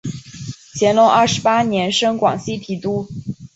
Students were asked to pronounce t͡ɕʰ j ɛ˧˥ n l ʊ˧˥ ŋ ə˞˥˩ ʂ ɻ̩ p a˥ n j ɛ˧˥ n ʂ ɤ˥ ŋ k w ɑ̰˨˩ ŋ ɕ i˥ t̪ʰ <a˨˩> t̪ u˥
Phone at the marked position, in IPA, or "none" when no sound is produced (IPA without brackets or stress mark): i˨˩